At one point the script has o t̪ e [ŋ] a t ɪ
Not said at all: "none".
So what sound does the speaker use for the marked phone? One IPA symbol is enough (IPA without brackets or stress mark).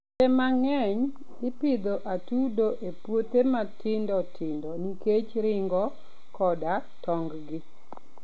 m